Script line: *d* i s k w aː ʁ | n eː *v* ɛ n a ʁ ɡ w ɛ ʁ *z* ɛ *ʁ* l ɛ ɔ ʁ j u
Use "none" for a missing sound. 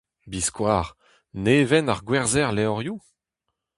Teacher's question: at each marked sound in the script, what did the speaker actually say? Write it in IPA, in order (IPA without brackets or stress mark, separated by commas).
b, v, z, ʁ